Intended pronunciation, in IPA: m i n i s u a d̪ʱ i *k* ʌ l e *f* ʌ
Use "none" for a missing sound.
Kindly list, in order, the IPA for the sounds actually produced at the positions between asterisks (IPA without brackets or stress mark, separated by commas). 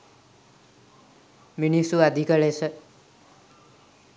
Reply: k, s